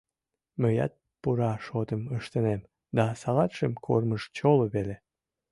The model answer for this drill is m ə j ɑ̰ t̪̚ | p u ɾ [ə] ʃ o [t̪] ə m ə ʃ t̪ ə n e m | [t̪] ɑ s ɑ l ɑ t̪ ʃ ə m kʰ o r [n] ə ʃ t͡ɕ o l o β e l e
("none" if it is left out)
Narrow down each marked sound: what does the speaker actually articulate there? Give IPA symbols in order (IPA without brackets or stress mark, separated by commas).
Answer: ɑ, t̪, d̪, m